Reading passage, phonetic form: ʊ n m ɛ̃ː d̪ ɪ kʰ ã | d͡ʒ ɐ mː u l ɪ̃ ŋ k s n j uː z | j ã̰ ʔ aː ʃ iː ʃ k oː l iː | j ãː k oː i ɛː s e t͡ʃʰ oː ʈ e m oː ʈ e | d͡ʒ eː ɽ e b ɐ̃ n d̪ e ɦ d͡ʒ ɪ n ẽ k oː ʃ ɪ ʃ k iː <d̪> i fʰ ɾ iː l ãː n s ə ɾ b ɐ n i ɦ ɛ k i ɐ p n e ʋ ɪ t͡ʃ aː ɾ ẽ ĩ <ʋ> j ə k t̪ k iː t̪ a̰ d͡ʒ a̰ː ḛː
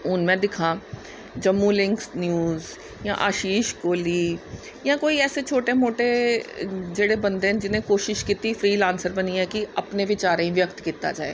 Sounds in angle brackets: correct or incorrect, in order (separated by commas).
incorrect, correct